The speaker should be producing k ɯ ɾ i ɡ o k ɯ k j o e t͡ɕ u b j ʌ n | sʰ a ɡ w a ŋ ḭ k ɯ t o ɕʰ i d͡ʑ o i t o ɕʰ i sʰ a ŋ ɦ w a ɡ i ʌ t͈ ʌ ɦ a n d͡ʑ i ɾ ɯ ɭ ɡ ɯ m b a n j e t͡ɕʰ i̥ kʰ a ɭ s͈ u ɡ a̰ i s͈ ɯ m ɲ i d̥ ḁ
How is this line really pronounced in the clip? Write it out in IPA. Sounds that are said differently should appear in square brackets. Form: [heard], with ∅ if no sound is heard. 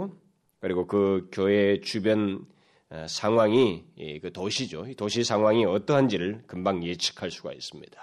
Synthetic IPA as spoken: k ɯ ɾ i ɡ o k ɯ k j o e t͡ɕ u b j ʌ n | sʰ a [ŋ] w a ŋ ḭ k ɯ t o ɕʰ i d͡ʑ o i t o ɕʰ i sʰ a ŋ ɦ w a [ŋ] i ʌ t͈ ʌ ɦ a n d͡ʑ i ɾ ɯ ɭ [k] ɯ m b a [ŋ] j e t͡ɕʰ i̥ kʰ a ɭ s͈ u ɡ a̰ i s͈ ɯ m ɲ i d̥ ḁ